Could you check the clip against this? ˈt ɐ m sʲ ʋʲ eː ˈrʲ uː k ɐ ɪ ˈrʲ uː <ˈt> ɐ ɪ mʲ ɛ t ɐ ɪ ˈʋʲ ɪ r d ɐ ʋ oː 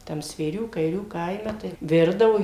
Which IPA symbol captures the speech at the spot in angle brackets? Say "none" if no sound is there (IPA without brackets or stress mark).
k